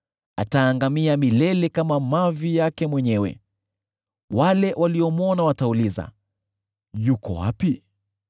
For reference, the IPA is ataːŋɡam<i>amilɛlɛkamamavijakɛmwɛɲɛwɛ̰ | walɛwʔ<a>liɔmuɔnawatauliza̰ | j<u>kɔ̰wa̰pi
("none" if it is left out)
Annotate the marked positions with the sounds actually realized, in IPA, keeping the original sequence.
i, a, u

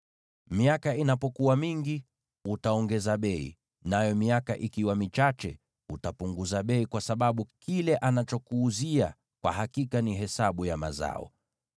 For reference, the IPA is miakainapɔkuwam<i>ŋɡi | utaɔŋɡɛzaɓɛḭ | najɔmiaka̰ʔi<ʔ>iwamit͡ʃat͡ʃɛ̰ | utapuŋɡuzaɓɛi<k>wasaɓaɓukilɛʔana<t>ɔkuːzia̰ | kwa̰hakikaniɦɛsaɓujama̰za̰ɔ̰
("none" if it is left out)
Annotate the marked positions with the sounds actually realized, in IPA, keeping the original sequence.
i, k, k, t͡ʃ

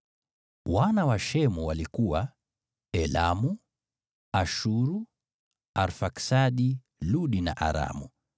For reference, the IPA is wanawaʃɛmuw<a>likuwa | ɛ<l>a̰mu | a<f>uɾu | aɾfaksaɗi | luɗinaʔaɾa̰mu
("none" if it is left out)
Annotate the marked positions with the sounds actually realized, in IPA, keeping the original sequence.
a, l, ʃ

